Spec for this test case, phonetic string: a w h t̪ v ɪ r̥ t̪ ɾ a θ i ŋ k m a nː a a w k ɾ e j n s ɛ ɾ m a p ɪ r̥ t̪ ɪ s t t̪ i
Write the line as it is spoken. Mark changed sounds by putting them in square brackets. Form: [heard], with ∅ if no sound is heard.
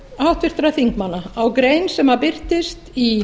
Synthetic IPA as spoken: a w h t̪ v ɪ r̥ t̪ ɾ a θ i ŋ k m a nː a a w k ɾ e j n s ɛ [∅] m a p ɪ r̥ t̪ ɪ s t t̪ i